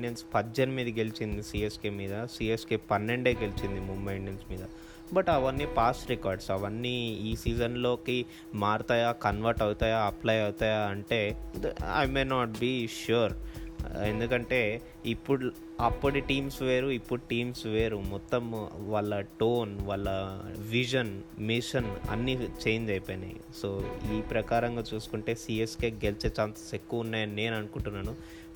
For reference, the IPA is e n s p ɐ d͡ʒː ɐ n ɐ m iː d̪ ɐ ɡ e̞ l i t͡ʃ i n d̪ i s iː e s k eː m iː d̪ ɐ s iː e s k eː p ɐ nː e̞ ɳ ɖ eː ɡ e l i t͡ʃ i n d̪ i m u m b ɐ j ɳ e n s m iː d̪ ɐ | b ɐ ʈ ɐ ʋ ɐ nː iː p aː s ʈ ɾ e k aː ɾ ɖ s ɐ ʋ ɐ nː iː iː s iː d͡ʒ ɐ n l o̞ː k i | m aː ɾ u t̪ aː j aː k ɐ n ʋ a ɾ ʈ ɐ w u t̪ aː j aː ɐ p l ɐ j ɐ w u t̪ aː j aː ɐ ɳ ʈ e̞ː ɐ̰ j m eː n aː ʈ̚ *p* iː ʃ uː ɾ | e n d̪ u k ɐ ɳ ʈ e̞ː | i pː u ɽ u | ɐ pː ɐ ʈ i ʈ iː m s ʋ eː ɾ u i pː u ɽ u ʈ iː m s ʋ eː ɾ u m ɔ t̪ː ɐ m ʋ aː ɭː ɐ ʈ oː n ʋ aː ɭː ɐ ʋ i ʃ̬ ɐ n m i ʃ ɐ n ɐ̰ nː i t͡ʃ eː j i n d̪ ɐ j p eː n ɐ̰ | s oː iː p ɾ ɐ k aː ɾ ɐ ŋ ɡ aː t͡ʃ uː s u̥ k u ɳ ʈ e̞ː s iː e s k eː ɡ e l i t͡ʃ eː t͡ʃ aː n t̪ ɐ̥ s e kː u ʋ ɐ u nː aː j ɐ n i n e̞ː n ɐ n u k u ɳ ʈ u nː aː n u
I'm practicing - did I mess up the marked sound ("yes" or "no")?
yes